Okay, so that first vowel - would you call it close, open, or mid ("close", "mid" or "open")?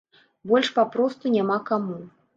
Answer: mid